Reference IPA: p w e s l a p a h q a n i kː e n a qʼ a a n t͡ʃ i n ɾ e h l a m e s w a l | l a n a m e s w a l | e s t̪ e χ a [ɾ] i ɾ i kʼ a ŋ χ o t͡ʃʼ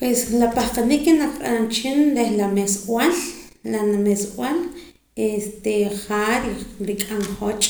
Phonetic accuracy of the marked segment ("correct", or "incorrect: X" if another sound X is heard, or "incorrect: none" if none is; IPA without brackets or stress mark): correct